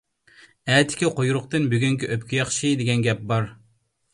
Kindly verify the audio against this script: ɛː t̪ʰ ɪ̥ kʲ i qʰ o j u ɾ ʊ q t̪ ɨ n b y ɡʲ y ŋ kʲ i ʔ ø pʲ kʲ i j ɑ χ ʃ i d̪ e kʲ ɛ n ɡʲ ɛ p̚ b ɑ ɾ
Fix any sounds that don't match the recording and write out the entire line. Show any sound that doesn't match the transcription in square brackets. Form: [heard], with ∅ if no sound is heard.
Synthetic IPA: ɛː t̪ʰ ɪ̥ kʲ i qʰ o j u ɾ ʊ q t̪ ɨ n b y ɡʲ y ŋ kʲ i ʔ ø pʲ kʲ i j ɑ χ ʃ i d̪ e [ɡʲ] ɛ n ɡʲ ɛ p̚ b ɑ ɾ